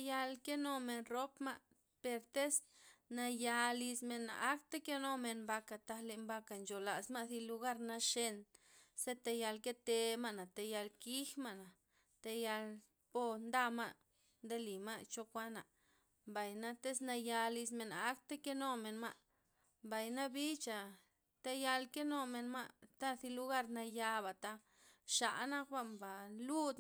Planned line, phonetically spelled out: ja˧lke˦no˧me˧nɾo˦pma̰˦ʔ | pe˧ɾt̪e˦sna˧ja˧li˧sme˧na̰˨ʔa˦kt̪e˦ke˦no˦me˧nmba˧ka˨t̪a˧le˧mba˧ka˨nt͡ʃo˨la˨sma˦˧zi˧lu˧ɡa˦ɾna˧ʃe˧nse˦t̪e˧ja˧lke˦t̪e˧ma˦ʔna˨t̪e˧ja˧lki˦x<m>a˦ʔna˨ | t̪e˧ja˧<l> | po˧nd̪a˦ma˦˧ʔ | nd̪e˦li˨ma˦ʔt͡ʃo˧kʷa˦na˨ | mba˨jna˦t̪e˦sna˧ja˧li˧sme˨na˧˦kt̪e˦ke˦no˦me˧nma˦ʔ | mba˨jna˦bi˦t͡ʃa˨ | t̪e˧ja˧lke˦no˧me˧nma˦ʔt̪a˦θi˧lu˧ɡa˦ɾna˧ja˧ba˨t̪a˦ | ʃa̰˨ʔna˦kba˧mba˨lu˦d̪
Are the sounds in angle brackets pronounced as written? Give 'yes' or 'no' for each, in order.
yes, yes

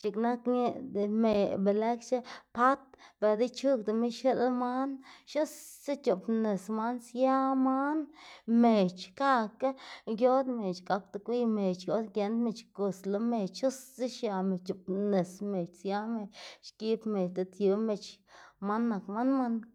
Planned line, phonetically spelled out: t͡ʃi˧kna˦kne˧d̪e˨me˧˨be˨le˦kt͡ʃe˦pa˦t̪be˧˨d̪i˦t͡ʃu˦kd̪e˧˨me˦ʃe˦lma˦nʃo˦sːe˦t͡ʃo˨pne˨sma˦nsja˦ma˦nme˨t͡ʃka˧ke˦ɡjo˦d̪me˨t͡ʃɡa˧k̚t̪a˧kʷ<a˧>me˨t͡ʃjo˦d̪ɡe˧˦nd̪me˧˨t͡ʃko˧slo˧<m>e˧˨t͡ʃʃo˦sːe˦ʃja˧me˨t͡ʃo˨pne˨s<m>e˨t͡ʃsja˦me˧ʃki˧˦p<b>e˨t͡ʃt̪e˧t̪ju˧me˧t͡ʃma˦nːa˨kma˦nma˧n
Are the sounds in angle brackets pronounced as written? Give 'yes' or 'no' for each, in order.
no, yes, yes, no

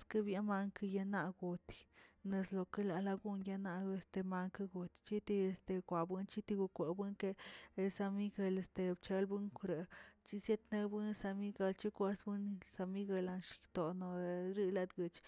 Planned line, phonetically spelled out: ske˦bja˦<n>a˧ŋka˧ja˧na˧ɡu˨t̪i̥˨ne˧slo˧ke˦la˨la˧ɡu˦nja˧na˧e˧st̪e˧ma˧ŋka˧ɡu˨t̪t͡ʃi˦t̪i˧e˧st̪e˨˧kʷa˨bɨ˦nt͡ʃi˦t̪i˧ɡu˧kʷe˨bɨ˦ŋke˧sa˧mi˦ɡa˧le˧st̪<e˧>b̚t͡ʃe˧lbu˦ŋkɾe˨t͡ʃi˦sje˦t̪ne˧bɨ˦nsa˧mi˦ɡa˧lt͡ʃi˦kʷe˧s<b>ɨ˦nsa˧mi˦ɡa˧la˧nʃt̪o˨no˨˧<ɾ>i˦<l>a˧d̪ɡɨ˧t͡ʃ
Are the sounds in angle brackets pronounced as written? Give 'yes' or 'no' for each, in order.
no, yes, yes, yes, yes

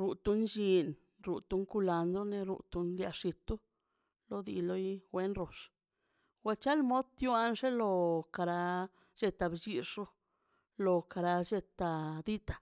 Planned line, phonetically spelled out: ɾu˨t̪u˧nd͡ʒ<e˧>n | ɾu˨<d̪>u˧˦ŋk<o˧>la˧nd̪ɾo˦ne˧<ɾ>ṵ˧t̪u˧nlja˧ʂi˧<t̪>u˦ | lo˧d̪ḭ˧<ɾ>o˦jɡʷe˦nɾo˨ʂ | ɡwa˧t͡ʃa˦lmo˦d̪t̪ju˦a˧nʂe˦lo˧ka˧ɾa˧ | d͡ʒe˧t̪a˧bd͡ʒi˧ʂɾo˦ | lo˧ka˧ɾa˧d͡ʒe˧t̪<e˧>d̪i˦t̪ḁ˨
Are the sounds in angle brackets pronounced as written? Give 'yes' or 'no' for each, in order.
no, no, no, yes, yes, no, no

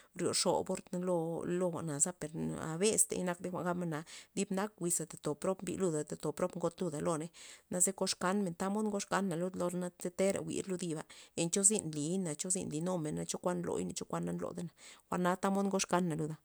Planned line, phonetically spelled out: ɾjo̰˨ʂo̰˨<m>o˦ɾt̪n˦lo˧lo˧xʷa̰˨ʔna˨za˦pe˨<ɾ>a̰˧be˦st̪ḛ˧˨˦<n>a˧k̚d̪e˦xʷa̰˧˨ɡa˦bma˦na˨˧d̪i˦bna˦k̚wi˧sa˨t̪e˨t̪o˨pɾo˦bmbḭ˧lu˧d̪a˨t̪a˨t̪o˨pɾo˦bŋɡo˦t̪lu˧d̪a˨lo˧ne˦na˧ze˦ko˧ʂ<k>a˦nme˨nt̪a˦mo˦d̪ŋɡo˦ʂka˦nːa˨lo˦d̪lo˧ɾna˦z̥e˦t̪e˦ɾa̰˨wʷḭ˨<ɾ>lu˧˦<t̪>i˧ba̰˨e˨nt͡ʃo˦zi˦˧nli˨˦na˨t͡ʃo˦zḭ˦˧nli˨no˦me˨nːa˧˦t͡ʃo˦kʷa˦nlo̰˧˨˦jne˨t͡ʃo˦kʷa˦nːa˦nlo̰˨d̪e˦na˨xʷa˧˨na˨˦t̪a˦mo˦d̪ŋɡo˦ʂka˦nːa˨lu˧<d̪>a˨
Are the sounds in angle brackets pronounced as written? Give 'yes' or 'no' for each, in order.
no, yes, yes, yes, yes, no, yes

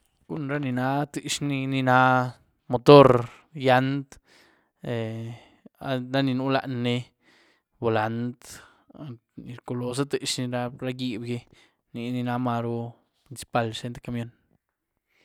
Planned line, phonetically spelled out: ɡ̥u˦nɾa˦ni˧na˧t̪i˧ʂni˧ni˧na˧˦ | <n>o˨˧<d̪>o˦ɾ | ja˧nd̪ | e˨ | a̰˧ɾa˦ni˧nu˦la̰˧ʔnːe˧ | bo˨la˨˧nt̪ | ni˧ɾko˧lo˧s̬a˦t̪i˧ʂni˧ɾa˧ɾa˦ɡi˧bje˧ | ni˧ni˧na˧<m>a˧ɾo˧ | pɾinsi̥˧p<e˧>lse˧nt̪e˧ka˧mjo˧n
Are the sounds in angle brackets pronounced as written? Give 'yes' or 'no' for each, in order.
no, no, yes, no

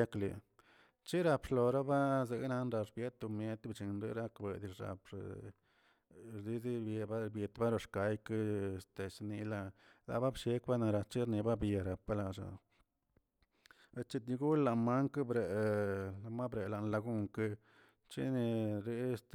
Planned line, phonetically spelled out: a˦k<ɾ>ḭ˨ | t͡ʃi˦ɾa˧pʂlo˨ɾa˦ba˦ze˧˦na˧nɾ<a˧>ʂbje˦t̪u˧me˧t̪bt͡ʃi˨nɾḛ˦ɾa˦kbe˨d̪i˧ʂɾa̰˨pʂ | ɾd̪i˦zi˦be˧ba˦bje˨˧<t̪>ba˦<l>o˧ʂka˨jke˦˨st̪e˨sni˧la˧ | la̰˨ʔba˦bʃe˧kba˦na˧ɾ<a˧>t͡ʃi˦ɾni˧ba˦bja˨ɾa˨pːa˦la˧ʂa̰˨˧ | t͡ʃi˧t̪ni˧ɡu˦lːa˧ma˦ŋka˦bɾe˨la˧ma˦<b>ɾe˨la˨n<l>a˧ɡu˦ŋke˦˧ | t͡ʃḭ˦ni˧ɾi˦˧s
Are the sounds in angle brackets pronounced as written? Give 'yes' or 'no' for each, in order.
no, yes, yes, no, yes, yes, yes

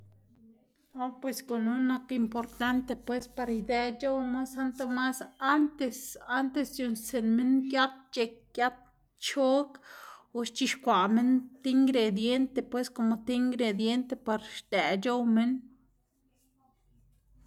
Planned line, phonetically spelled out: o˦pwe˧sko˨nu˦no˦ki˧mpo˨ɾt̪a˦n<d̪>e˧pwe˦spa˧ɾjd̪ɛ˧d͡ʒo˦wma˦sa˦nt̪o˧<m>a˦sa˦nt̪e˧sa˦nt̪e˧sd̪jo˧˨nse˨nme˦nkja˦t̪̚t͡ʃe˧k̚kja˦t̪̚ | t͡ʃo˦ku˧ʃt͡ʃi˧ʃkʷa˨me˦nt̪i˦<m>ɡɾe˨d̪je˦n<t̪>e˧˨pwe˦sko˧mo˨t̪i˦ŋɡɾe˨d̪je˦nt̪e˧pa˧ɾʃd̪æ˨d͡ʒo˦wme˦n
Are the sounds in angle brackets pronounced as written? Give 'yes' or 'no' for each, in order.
no, yes, no, yes

